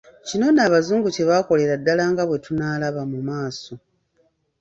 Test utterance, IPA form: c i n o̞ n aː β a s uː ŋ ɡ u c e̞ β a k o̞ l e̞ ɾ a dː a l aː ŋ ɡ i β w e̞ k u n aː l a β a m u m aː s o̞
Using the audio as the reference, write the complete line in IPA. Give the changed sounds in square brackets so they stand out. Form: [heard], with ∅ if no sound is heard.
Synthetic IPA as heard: c i n o̞ n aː β a [z] uː ŋ ɡ u c e̞ β a k o̞ l e̞ ɾ a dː a l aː ŋ ɡ [a] β w e̞ [t] u n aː l a β a m u m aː s o̞